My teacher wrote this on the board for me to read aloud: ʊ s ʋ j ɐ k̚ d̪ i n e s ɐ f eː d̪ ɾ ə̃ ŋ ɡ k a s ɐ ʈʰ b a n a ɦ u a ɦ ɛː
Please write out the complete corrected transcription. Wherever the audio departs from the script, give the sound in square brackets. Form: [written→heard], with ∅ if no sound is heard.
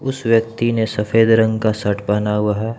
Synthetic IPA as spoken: ʊ s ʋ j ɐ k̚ [d̪→t̪] i n e s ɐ f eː d̪ ɾ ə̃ ŋ ɡ k a s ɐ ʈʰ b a n a ɦ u a ɦ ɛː